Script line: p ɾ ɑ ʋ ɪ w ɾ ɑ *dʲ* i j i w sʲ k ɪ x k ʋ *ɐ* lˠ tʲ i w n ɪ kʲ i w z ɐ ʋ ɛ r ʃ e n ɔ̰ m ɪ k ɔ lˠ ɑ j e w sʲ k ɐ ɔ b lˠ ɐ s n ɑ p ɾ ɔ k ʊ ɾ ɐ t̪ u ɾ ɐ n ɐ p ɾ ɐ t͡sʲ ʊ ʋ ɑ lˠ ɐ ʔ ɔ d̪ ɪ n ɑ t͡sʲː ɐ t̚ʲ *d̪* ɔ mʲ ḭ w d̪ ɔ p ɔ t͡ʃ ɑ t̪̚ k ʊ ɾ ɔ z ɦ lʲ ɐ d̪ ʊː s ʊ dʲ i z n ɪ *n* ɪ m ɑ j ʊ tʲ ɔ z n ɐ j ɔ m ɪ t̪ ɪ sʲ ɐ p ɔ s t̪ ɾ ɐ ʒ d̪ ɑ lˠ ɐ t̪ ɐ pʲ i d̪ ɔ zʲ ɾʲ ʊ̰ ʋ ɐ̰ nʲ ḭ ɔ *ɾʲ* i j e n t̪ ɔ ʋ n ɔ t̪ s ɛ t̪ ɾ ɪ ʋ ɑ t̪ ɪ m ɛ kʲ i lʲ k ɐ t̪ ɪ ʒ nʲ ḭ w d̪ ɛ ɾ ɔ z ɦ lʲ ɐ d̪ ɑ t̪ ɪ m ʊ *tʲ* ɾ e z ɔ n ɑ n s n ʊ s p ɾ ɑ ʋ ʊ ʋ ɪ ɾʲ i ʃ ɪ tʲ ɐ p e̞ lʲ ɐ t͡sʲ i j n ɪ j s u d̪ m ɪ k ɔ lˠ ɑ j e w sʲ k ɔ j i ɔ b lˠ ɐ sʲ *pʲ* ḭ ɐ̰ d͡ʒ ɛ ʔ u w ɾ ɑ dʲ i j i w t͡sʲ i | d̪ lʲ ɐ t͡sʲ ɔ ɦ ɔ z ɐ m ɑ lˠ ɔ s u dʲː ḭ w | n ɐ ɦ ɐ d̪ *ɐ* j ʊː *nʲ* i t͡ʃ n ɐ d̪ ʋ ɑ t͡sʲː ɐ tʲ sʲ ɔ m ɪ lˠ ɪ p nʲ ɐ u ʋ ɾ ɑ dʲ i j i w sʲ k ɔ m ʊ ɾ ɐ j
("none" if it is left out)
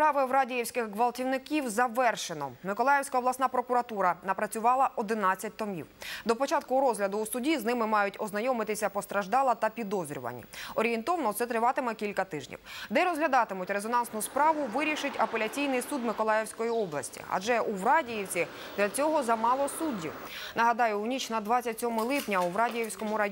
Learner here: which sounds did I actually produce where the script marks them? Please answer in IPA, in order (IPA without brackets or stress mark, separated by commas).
dʲ, ɐ, t̪, m, ɾʲ, tʲ, tʲ, ɑ, nʲ